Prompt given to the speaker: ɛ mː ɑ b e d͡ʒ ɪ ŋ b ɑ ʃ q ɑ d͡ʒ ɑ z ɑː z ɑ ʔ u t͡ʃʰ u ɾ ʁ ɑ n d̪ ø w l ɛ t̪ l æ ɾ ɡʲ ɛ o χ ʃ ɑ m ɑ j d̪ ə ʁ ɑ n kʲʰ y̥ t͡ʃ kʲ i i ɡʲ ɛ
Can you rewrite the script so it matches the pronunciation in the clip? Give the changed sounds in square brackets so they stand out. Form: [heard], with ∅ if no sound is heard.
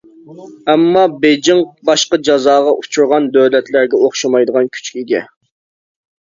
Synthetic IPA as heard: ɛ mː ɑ b e d͡ʒ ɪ ŋ b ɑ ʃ q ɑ d͡ʒ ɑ z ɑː [ʁ] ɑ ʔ u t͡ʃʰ u ɾ ʁ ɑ n d̪ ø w l ɛ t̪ l æ ɾ ɡʲ ɛ o χ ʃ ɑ m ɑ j d̪ ə ʁ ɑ n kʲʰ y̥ t͡ʃ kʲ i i ɡʲ ɛ